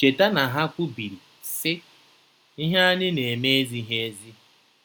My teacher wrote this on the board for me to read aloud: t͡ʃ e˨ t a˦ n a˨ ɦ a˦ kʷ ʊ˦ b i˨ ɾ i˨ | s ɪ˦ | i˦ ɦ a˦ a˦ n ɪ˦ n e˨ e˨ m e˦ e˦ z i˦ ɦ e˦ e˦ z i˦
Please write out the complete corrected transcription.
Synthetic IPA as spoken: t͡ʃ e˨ t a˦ n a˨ ɦ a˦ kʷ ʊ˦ b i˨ ɾ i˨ | s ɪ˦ | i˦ ɦ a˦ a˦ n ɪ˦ n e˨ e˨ m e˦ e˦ z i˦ ɦ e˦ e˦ z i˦